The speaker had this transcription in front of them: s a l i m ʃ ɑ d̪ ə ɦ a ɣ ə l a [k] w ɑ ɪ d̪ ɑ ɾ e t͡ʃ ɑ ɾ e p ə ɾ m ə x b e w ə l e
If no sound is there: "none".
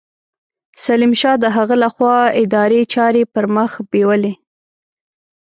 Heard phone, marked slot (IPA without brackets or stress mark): x